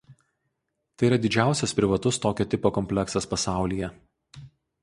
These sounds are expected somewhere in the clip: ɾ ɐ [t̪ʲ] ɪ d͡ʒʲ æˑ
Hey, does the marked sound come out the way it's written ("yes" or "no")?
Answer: no